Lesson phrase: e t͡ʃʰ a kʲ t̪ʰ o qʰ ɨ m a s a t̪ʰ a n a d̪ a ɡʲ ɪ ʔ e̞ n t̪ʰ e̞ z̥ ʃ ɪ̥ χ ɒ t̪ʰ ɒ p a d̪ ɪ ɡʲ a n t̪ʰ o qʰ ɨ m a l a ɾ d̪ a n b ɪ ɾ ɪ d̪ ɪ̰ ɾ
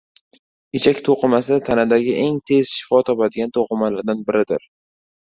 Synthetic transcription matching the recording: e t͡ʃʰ a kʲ t̪ʰ o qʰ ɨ m a s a t̪ʰ a n a d̪ a ɡʲ ɪ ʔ e̞ ŋ t̪ʰ e̞ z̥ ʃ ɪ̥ f ɒ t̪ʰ ɒ p a d̪ ɪ ɡʲ a n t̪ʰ o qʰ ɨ m a l a ɾ d̪ a n b ɪ ɾ ɪ d̪ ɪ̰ ɾ